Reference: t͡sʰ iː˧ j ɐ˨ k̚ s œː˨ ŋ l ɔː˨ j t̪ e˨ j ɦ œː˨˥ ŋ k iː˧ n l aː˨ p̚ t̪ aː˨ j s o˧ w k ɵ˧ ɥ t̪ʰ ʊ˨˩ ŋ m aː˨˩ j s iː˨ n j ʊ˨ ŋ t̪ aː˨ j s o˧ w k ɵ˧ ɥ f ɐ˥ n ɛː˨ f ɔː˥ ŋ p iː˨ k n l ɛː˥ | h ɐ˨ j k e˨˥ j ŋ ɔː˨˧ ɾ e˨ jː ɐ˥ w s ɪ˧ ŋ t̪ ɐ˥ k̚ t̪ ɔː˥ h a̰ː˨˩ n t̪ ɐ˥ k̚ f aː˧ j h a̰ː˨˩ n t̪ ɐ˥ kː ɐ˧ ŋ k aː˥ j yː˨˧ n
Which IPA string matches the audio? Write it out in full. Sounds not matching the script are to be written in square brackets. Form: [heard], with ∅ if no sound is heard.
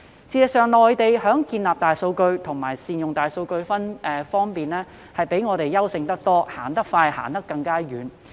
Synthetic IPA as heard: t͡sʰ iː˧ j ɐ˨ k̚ s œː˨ ŋ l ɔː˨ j t̪ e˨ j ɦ œː˨˥ ŋ k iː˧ n l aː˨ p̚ t̪ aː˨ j s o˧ w k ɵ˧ ɥ t̪ʰ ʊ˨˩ ŋ m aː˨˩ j s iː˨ n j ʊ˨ ŋ t̪ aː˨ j s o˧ w k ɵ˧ ɥ f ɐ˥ n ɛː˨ f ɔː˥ ŋ p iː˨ [∅] n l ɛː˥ | h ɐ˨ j [p] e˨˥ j ŋ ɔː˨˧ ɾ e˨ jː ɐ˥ w s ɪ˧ ŋ t̪ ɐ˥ k̚ t̪ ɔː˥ h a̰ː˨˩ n t̪ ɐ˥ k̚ f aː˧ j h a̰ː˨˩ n t̪ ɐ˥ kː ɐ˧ ŋ k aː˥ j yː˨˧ n